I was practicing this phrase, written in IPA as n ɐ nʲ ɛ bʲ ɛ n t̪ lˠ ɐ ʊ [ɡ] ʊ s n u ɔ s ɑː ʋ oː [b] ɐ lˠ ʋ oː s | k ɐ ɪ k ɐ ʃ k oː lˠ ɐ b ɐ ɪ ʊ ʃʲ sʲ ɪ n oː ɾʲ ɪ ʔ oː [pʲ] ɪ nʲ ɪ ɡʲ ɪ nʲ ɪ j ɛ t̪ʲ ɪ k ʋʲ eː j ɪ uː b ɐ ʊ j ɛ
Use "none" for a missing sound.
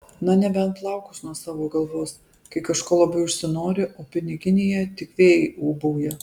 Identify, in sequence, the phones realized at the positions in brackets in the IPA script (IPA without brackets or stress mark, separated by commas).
k, ɡ, pʲ